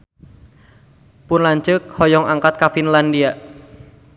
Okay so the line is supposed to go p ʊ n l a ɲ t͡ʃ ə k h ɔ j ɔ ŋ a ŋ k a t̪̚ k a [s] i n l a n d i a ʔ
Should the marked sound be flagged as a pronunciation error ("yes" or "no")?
yes